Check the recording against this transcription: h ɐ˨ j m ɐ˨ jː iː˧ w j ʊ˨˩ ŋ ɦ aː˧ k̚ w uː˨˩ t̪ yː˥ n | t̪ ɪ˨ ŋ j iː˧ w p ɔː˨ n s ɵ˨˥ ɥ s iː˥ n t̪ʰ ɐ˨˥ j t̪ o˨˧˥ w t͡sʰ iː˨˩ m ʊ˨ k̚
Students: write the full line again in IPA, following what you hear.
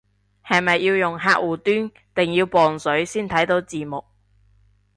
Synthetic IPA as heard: h ɐ˨ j m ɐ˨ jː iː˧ w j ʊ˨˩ ŋ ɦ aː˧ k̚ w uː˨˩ t̪ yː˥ n | t̪ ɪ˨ ŋ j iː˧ w p ɔː˨ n s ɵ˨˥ ɥ s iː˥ n t̪ʰ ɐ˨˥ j t̪ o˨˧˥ w t͡s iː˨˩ m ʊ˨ k̚